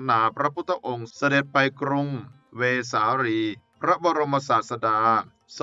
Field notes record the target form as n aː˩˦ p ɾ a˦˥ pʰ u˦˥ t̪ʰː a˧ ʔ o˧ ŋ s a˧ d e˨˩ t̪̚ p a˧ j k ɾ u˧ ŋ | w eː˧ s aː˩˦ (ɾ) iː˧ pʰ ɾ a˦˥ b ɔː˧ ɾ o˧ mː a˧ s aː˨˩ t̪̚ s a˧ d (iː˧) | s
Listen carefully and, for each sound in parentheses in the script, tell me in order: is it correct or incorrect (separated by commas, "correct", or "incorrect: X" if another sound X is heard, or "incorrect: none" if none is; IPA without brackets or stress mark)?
correct, incorrect: aː˧